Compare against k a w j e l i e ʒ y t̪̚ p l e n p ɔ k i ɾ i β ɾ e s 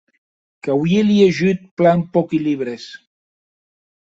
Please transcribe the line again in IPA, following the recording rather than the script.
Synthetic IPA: k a w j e l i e ʒ y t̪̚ p l a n p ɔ k i l i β ɾ e s

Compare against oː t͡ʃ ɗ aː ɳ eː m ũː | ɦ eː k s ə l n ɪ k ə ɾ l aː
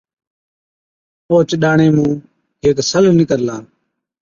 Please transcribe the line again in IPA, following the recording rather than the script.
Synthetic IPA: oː t͡ʃ ɗ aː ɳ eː m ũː | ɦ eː k s ə l n ɪ k ə ɾ l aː

